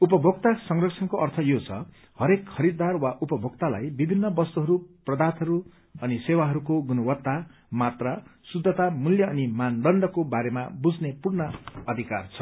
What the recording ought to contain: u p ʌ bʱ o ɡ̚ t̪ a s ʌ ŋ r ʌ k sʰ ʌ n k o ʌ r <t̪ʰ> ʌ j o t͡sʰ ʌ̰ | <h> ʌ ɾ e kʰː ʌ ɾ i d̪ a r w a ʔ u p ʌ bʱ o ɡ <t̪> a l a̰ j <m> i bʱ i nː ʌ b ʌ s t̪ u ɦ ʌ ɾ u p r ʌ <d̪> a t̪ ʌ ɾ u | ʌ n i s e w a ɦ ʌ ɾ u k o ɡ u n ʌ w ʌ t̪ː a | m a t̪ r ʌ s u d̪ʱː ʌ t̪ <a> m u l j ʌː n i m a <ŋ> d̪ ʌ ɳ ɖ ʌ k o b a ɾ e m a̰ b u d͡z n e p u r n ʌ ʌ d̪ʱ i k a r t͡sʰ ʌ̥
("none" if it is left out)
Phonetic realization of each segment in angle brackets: t̪ʰ, h, t̪, b, d̪, a, n

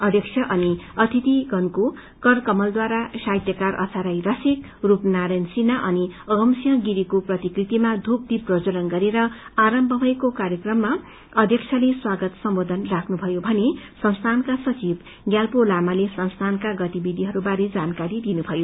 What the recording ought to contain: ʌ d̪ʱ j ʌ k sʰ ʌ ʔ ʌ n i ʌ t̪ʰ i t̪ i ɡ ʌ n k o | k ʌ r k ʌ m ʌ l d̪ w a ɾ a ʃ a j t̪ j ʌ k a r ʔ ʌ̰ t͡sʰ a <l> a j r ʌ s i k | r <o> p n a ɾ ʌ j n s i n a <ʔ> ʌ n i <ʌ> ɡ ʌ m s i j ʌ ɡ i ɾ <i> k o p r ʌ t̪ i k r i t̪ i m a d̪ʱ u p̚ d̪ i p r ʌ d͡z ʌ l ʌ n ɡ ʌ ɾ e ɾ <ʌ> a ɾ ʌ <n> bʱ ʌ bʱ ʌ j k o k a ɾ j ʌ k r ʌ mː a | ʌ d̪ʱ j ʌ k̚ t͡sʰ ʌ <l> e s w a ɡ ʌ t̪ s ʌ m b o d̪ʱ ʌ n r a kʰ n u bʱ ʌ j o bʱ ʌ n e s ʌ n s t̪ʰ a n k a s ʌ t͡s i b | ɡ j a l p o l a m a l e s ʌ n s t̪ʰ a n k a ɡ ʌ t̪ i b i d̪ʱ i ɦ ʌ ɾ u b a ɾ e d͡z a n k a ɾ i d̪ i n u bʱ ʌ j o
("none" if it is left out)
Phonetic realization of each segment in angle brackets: ɾ, u, ʔ, ʌ, i, ʌ, m, l

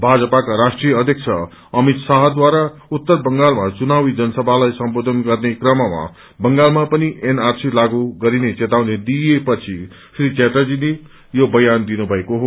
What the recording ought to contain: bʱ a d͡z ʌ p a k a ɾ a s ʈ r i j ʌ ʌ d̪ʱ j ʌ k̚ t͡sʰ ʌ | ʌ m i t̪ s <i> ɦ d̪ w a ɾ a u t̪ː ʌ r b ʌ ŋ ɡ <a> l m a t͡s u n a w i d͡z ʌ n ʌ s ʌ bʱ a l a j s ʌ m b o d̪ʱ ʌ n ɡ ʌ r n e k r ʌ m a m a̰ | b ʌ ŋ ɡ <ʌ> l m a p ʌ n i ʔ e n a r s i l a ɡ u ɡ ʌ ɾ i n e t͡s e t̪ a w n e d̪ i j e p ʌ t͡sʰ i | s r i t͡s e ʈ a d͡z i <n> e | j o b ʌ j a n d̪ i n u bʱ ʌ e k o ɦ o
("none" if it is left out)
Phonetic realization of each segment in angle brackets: a, a, a, n

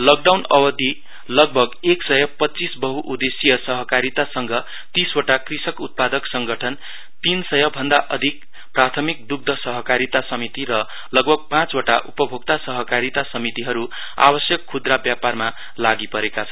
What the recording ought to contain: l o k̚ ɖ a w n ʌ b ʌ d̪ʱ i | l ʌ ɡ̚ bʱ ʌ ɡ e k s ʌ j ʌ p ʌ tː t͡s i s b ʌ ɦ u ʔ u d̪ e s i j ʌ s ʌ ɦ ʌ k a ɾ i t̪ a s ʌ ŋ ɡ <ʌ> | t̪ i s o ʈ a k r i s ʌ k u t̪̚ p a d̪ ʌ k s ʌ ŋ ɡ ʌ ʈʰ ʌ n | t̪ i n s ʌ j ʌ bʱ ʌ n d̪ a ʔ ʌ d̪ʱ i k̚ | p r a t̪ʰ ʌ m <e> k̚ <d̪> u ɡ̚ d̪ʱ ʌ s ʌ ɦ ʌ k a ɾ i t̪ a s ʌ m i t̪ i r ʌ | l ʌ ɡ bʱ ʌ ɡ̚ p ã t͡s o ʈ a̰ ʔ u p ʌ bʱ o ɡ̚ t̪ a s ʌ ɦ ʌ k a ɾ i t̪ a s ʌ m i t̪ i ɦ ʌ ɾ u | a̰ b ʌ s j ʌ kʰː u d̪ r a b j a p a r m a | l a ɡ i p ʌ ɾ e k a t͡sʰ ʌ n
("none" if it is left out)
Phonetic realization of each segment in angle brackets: ʌ, i, d̪

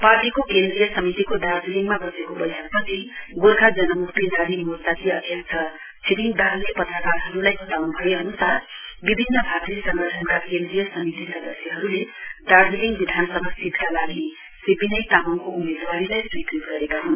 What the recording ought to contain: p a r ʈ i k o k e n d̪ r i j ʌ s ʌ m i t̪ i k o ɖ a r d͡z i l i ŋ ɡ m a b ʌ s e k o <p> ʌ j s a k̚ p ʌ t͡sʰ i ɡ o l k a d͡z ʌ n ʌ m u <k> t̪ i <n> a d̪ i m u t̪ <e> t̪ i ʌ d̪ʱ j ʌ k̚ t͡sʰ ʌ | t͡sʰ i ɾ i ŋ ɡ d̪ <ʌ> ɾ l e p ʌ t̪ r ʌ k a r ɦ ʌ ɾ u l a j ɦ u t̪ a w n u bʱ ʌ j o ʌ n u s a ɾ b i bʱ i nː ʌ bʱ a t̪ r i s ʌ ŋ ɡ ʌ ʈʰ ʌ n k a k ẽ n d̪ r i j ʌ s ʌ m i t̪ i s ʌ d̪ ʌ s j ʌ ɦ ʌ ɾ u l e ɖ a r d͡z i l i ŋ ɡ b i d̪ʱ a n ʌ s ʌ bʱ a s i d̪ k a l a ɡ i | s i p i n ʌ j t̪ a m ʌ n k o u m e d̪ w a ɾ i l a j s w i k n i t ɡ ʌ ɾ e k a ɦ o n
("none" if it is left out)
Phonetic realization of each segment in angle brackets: b, k, n, a, a

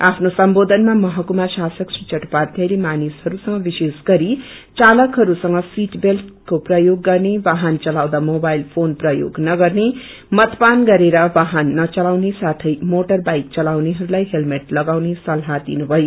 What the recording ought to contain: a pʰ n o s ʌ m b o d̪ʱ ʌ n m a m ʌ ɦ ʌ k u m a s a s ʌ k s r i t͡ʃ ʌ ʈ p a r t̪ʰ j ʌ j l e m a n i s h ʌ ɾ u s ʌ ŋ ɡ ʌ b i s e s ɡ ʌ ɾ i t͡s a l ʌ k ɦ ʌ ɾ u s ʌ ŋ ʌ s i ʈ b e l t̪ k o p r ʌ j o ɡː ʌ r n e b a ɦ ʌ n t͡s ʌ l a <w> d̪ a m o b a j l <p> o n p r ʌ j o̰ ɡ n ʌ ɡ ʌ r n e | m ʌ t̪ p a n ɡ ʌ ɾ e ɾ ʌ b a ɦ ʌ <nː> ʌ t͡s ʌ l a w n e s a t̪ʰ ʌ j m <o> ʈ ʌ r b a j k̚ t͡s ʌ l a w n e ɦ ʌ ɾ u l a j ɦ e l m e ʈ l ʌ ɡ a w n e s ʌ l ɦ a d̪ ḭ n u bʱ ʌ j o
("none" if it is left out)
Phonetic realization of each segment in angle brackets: w, pʰ, nː, o

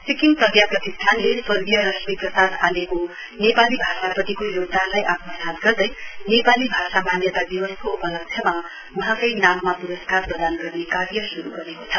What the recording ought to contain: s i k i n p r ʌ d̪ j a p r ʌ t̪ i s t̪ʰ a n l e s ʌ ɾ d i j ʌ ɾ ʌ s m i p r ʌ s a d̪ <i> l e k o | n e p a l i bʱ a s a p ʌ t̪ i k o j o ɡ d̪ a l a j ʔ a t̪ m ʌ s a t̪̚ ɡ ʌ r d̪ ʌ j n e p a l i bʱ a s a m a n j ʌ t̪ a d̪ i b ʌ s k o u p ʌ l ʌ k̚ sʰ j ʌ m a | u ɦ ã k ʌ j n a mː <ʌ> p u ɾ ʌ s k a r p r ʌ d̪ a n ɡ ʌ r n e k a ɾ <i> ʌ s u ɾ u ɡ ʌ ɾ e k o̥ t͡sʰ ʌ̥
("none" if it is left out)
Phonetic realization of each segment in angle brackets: a, a, j

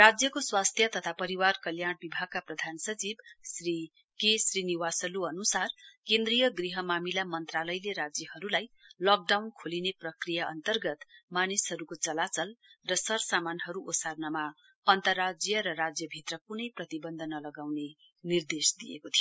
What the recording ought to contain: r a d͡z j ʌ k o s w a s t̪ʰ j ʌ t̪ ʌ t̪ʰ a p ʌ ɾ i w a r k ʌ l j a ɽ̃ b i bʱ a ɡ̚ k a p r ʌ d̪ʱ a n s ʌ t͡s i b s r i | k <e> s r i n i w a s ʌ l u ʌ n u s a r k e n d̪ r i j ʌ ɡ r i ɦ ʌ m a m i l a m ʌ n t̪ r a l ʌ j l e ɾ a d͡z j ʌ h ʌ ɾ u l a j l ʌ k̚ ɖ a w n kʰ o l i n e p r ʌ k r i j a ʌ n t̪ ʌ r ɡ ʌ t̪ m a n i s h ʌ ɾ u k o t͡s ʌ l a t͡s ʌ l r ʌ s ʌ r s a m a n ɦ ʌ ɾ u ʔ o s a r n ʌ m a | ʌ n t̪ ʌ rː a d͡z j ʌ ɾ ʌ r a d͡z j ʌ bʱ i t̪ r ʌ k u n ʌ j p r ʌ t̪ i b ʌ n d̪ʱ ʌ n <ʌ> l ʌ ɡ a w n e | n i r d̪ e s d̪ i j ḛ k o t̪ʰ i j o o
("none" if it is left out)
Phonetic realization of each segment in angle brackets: e, ʌ

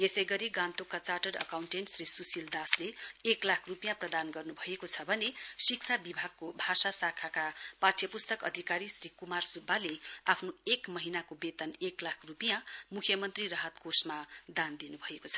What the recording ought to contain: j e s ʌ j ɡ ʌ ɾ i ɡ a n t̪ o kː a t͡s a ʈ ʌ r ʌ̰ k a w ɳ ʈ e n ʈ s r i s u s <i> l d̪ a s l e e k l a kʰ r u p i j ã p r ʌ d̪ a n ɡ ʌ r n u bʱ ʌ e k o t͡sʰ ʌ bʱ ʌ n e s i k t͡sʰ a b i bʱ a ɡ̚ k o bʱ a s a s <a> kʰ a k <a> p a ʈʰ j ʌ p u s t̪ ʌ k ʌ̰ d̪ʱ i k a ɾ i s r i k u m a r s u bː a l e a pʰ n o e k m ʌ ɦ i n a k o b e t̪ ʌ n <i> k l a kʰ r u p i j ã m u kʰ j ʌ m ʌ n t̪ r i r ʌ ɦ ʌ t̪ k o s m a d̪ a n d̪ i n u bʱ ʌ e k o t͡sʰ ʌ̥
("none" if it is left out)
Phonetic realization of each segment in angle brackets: i, a, a, e

